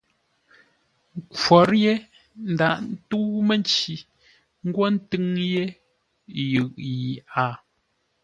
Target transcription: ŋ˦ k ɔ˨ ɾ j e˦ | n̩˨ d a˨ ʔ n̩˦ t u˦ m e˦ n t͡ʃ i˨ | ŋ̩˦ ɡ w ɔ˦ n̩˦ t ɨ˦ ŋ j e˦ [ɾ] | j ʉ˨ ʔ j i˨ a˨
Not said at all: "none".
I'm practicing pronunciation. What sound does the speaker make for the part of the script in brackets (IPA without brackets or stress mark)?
none